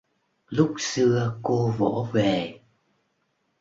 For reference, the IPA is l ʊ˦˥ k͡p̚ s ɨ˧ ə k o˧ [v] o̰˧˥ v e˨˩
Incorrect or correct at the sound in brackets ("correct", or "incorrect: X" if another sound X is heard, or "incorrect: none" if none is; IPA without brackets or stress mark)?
correct